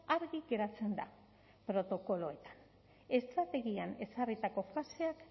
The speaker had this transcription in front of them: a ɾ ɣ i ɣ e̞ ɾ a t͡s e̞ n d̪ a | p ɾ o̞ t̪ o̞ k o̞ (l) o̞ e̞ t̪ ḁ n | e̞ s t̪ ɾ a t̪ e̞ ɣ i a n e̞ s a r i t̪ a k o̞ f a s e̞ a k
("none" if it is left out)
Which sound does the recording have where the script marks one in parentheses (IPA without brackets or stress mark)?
l